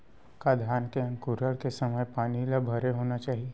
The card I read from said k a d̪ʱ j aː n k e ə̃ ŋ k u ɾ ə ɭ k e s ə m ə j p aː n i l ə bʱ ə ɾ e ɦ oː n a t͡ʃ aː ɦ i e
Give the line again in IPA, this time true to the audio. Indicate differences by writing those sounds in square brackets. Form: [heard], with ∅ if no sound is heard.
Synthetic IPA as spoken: k a d̪ʱ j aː n k e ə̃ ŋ k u ɾ ə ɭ k e s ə m ə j p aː n i l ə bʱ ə ɾ e ɦ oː n a t͡ʃ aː ɦ i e

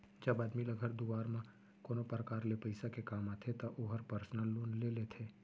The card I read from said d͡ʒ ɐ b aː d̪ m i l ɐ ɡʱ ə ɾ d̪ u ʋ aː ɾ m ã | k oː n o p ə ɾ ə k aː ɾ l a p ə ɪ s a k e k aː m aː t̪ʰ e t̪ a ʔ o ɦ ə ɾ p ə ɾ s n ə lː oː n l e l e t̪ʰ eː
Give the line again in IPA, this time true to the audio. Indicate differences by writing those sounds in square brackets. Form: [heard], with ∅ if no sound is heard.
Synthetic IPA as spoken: d͡ʒ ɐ b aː d̪ m i l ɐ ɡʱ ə ɾ d̪ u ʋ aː ɾ m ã | k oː n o p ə ɾ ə k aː ɾ l [e] p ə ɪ s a k e k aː m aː t̪ʰ e t̪ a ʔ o ɦ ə ɾ p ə ɾ s n ə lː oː n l e l e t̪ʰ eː

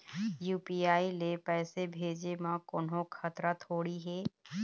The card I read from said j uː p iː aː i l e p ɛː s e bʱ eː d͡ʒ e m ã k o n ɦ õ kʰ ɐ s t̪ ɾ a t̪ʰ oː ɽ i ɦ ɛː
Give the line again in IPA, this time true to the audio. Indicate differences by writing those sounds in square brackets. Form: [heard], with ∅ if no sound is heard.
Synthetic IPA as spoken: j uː p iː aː i l e p ɛː s e bʱ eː d͡ʒ e m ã k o n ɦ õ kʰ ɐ [∅] t̪ ɾ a t̪ʰ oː ɽ i ɦ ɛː

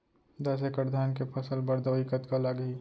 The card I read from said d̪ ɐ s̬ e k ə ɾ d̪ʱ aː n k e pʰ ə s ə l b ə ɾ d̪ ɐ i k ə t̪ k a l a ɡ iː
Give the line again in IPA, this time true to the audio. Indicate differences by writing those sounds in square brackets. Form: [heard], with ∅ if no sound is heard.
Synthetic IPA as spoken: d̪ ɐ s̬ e k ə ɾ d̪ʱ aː n k e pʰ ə s ə l b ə ɾ d̪ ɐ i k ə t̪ k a l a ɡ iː

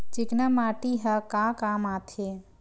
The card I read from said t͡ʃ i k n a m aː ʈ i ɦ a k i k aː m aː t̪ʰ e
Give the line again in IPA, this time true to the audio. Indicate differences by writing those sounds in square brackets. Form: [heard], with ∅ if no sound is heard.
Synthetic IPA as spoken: t͡ʃ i k n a m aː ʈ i ɦ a k [a] k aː m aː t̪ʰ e

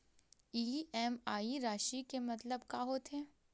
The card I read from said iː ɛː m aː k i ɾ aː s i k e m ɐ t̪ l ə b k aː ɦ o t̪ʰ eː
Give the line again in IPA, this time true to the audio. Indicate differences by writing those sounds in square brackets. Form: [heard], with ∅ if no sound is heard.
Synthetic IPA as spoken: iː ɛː m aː [∅] i ɾ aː [ʃ] i k e m ɐ t̪ l ə b k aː ɦ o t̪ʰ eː

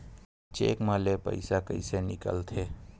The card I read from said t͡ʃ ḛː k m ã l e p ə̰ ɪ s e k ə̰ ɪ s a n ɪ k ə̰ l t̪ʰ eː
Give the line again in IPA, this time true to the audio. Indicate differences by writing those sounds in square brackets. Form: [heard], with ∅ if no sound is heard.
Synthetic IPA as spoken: t͡ʃ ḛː k m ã l e p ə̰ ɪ s [a] k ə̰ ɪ s [e] n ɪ k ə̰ l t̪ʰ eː

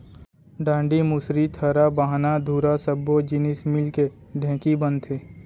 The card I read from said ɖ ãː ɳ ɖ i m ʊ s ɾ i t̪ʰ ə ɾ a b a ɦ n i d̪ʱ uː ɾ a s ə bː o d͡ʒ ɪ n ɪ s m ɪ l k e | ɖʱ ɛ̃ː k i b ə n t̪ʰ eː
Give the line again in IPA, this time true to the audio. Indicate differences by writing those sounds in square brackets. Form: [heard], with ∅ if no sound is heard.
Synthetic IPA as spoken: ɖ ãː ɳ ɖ i m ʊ s ɾ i t̪ʰ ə ɾ a b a ɦ n [a] d̪ʱ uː ɾ a s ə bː o d͡ʒ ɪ n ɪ s m ɪ l k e | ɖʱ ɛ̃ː k i b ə n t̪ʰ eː

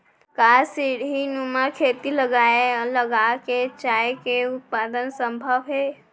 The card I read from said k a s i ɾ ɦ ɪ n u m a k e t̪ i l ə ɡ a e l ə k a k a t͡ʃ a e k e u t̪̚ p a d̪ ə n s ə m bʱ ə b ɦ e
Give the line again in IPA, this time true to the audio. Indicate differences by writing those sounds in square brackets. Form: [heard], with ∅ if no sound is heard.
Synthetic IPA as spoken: k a s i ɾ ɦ [i] n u m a [kʰ] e t̪ i l ə ɡ a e l ə [ɡ] a k [e] t͡ʃ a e k e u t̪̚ p a d̪ ə n s ə m bʱ ə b ɦ e

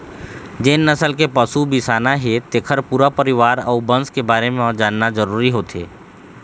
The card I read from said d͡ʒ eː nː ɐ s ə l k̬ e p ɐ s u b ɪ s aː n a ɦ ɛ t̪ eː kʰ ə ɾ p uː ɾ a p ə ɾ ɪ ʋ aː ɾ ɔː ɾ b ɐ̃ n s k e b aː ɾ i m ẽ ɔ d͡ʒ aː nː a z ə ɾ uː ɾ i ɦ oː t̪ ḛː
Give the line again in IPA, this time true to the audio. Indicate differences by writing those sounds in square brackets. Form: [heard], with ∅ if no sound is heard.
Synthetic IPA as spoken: d͡ʒ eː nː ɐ s ə l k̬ e p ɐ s u b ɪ s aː n a ɦ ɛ t̪ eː kʰ ə ɾ p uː ɾ a p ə ɾ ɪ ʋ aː ɾ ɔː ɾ b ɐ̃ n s k e b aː ɾ [e] m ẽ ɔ d͡ʒ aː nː a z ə ɾ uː ɾ i ɦ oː t̪ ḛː

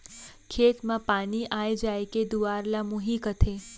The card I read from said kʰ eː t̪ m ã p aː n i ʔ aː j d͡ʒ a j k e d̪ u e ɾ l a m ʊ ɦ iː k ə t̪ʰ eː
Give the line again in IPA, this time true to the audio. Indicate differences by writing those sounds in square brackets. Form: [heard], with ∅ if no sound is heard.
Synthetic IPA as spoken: kʰ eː t̪ m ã p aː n i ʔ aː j d͡ʒ a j k e d̪ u [a] ɾ l a m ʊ ɦ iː k ə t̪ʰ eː

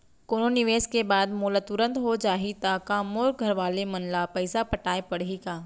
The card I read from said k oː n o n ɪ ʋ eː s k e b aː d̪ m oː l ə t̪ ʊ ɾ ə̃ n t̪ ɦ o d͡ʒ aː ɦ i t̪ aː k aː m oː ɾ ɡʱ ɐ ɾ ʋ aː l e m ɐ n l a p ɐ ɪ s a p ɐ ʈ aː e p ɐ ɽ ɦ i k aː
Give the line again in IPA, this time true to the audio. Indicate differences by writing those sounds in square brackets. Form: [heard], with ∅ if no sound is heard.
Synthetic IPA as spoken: k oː n o n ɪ ʋ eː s k e b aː d̪ m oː l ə t̪ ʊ ɾ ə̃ n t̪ ɦ o d͡ʒ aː ɦ i t̪ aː k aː m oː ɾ ɡʱ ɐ ɾ ʋ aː l e m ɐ n l a p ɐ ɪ s a p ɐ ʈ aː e p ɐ ɽ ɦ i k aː

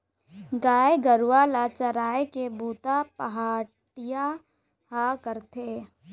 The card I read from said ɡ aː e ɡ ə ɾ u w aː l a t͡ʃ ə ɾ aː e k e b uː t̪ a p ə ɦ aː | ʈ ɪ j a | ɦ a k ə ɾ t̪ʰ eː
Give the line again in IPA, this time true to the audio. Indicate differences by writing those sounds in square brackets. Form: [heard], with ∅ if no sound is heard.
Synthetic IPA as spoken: ɡ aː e ɡ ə ɾ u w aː l a t͡ʃ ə ɾ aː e k e b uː t̪ a p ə ɦ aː | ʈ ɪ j a | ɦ a k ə ɾ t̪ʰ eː

